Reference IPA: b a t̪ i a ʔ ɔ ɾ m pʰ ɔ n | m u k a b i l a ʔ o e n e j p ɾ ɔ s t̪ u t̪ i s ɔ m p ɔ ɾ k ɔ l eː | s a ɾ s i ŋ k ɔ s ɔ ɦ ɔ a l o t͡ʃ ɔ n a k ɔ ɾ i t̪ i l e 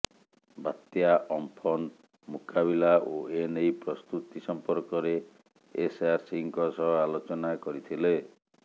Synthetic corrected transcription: b a t̪ j a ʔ ɔ m pʰ ɔ n | m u k a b i l a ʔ o e n e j p ɾ ɔ s t̪ u t̪ i s ɔ m p ɔ ɾ k ɔ ɾ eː | s a ɾ s i ŋ k ɔ s ɔ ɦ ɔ a l o t͡ʃ ɔ n a k ɔ ɾ i t̪ʰ i l e